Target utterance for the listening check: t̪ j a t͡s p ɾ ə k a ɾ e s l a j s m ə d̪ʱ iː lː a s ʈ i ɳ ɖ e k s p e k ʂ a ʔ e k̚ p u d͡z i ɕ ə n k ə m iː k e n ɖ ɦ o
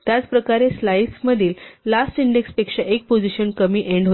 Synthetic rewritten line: t̪ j a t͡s p ɾ ə k a ɾ e s l a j s m ə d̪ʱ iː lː a s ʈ i ɳ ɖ e k s p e k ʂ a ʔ e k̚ p o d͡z i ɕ ə n k ə m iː ʔ e ɳ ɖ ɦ o